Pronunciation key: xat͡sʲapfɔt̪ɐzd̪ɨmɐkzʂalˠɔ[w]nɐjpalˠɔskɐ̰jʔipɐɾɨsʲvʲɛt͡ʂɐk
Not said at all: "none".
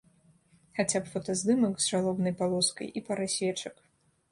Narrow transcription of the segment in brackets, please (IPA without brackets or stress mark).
b